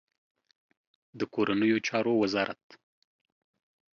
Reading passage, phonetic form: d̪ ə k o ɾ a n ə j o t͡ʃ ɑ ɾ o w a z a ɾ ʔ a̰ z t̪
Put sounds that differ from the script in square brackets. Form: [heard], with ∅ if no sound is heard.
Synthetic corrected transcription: d̪ ə k o ɾ a n ə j o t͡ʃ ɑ ɾ o w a z [ɑ] ɾ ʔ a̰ [∅] t̪